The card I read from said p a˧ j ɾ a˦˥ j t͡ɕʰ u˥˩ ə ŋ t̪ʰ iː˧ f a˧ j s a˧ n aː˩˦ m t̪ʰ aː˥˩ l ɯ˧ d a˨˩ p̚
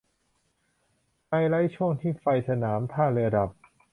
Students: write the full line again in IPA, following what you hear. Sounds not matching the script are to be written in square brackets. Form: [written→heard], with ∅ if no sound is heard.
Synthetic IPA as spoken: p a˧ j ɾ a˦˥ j t͡ɕʰ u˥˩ ə ŋ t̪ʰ [iː˧→iː˥˩] f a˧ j s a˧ n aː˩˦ m t̪ʰ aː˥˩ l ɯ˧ d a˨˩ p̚